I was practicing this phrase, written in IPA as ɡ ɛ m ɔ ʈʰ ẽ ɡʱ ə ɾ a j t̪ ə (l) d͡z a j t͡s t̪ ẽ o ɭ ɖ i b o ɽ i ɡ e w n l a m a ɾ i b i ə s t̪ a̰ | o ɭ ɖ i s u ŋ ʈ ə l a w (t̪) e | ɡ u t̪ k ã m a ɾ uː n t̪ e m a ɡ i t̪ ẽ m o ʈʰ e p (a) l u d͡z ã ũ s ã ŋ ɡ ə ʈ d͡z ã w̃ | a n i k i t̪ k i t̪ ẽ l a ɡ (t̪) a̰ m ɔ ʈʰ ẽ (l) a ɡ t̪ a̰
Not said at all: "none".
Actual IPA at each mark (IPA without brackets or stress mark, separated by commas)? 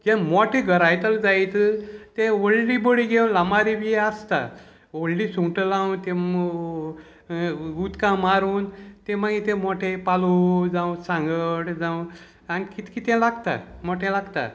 l, t̪, a, t̪, l